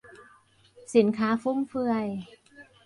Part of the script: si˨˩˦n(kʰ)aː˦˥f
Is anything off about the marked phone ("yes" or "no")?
no